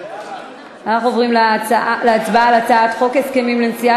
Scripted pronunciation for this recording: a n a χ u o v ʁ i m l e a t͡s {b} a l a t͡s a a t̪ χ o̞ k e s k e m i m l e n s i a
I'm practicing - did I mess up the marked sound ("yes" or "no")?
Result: no